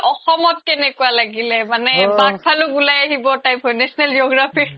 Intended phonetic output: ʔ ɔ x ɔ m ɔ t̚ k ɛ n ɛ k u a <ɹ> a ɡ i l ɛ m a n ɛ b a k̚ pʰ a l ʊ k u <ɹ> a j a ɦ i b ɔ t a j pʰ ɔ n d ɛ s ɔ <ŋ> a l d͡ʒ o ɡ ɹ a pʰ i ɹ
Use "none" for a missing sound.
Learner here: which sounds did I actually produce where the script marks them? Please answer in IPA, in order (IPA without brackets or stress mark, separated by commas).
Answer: l, l, n